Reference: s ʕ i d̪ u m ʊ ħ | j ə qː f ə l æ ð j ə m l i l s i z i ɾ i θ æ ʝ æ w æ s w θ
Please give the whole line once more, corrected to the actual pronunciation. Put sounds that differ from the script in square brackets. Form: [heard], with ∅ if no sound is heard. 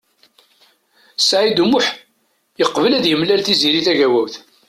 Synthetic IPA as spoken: s ʕ i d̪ u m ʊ ħ | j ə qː [v] ə l æ ð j ə m l [æ] l [θ] i z i ɾ i θ æ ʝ æ w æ [∅] w θ